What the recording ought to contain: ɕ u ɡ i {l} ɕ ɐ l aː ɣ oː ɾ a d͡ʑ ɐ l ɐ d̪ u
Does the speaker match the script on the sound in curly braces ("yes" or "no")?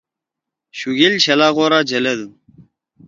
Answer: yes